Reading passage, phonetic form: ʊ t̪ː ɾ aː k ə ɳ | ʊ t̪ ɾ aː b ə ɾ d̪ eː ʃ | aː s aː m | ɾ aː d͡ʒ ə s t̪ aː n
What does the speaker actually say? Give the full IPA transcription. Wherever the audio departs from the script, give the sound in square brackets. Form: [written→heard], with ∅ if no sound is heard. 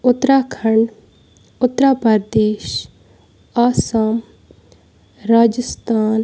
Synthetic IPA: ʊ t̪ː ɾ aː [k→kʰ] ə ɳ | ʊ t̪ ɾ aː [b→p] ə ɾ d̪ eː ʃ | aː s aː m | ɾ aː d͡ʒ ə s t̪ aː n